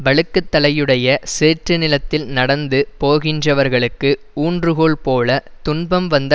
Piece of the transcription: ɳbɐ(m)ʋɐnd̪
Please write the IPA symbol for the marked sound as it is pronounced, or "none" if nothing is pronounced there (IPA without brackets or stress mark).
m